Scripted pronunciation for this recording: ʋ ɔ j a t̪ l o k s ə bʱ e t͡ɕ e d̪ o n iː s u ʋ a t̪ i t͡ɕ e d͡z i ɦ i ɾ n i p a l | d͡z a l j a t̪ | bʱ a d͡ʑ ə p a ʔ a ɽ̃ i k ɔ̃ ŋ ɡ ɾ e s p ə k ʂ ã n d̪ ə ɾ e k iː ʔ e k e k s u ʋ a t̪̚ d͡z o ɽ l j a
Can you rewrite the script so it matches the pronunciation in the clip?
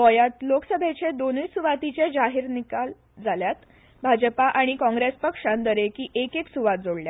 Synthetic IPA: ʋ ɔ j a t̪ l o k s ə bʱ e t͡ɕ e d̪ o n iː s u ʋ a t̪ i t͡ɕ e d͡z a ɦ i ɾ n i k a l | d͡z a l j a t̪ | bʱ a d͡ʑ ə p a ʔ a ɽ̃ i k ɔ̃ ŋ ɡ ɾ e s p ə k ʂ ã n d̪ ə ɾ e k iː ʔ e k e k s u ʋ a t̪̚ d͡z o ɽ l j a